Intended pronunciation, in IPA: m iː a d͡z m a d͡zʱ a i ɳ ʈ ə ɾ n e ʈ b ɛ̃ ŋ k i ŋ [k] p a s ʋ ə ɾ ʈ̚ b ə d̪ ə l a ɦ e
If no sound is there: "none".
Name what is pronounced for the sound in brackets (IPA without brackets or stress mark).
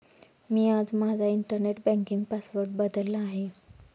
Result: ɡ